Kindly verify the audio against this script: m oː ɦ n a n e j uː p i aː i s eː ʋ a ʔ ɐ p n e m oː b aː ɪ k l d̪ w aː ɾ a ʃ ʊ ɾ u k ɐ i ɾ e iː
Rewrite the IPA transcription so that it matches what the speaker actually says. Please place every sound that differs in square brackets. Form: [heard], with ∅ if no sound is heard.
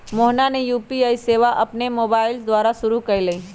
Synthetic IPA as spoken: m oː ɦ n a n e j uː p i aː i s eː ʋ a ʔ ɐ p n e m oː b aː ɪ [∅] l d̪ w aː ɾ a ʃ ʊ ɾ u k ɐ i [l] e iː